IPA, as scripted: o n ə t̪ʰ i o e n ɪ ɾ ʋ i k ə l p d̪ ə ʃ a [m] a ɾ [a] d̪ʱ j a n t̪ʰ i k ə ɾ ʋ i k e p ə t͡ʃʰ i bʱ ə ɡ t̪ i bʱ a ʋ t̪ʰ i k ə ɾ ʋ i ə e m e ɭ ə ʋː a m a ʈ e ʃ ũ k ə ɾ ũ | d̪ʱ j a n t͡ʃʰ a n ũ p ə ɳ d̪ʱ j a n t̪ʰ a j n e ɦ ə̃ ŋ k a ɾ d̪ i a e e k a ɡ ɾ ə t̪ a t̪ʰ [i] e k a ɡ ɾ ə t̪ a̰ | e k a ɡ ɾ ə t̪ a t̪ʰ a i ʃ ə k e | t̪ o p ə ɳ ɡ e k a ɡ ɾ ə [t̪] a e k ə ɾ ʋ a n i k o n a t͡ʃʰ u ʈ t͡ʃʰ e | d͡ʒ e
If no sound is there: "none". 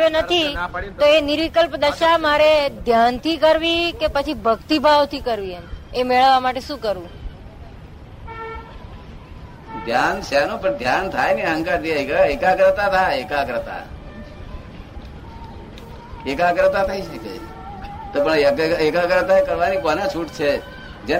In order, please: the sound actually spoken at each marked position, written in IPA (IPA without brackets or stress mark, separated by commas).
m, e, a, t̪